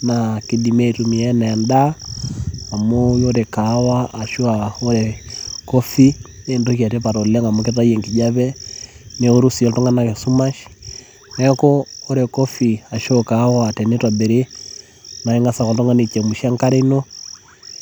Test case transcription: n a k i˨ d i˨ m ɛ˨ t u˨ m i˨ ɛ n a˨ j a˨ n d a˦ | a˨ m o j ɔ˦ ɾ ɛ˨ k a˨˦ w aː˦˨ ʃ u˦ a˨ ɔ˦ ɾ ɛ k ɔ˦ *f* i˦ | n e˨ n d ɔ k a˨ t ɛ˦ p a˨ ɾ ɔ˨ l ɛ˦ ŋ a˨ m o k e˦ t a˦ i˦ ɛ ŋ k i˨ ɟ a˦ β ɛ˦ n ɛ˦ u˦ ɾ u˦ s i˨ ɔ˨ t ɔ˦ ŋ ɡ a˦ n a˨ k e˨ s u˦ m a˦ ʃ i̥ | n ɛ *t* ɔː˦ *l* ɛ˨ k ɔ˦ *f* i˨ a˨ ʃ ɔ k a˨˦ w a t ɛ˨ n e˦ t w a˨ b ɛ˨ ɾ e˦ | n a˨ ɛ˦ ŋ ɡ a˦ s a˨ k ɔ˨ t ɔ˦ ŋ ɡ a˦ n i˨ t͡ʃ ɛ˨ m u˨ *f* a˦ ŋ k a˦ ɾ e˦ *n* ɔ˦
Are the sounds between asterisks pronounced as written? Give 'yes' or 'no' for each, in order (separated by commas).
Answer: yes, no, no, yes, no, yes